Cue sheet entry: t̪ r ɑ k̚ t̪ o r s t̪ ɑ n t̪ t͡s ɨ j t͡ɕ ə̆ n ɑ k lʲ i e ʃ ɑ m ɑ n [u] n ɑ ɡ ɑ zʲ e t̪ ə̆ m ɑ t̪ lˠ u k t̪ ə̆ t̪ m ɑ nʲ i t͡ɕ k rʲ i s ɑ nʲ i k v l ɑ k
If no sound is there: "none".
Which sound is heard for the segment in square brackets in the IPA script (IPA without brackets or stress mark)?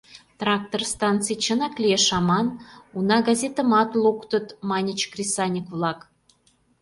u